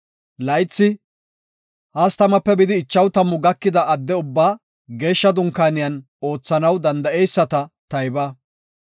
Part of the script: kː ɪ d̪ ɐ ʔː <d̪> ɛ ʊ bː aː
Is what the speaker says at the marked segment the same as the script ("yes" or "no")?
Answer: no